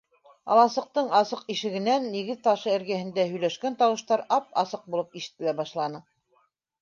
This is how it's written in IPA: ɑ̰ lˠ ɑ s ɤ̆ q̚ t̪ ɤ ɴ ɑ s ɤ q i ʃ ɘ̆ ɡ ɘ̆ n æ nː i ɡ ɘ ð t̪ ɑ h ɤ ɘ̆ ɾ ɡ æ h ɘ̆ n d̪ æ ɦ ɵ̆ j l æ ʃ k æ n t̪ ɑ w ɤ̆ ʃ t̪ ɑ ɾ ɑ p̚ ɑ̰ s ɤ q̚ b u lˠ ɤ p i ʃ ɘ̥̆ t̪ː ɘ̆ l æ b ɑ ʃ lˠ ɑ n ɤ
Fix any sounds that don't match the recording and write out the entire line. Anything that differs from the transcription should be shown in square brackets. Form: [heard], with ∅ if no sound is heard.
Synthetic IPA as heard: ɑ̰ lˠ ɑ s ɤ̆ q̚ t̪ ɤ ɴ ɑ s ɤ q i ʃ ɘ̆ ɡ ɘ̆ n æ nː i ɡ ɘ ð t̪ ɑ [ʃ] ɤ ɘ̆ ɾ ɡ æ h ɘ̆ n d̪ æ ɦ ɵ̆ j l æ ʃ k æ n t̪ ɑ w ɤ̆ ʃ t̪ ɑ ɾ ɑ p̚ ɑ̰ s ɤ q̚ b u lˠ ɤ p i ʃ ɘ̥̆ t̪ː ɘ̆ l æ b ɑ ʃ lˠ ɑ n ɤ